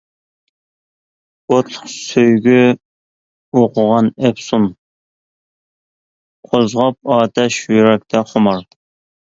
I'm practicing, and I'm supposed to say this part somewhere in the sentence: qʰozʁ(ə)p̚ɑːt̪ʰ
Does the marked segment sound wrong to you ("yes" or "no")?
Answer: yes